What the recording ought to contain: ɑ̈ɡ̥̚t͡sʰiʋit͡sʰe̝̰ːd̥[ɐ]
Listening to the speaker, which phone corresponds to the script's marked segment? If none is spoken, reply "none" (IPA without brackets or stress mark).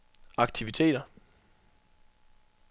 ɐ